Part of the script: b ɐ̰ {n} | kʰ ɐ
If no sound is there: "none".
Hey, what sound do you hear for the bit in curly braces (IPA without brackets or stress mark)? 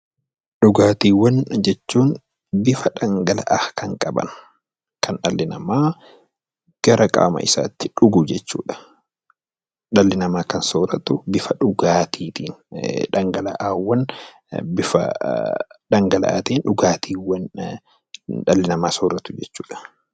n